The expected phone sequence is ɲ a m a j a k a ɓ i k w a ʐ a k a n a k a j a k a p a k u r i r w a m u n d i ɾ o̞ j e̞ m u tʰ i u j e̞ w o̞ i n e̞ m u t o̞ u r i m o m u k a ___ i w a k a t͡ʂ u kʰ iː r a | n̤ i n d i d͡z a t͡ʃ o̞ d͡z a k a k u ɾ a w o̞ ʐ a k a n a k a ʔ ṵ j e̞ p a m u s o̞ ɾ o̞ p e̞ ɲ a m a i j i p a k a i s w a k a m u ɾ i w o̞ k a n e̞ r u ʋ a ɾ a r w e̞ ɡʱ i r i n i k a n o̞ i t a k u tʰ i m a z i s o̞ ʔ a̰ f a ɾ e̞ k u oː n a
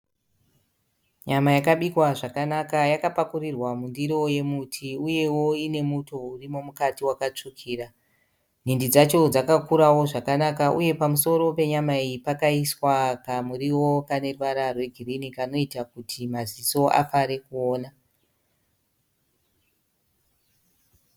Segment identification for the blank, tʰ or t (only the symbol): t